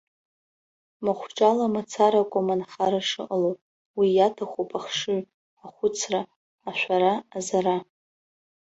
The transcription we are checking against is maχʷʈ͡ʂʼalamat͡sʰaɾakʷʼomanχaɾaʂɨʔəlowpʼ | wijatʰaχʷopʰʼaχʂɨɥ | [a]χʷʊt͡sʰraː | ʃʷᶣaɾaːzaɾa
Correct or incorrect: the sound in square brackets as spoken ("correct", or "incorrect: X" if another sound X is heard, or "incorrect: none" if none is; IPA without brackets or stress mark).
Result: correct